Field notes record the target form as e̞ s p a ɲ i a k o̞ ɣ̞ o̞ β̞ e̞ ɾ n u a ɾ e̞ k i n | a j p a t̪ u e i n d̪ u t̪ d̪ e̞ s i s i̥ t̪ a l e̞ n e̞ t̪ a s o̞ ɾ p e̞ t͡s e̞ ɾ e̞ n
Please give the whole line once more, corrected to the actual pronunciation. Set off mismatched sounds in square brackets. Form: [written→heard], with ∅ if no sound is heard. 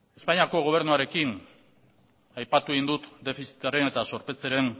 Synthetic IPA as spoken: e̞ s p a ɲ i a k o̞ ɣ̞ o̞ β̞ e̞ ɾ n u a ɾ e̞ k i n | a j p a t̪ u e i n d̪ u t̪ d̪ e̞ [s→f] i s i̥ t̪ a [l→ɾ] e̞ n e̞ t̪ a s o̞ ɾ p e̞ t͡s e̞ ɾ e̞ n